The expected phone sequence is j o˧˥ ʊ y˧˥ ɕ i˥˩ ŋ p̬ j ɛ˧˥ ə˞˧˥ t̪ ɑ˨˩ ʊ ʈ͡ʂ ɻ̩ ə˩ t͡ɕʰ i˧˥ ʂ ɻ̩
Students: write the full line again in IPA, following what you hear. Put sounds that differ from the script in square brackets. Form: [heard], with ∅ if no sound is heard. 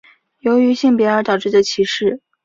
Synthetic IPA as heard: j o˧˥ ʊ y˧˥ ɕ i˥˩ ŋ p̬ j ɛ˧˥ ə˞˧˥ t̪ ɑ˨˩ ʊ ʈ͡ʂ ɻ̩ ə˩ t͡ɕʰ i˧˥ ʂ ɻ̩